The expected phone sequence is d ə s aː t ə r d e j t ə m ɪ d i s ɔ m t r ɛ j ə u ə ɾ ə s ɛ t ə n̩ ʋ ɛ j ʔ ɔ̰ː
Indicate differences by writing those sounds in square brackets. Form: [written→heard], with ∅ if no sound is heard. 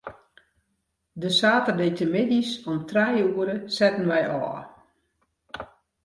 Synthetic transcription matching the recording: d ə s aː t ə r d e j t ə m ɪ d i s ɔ m t r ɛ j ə u ə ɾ ə s ɛ t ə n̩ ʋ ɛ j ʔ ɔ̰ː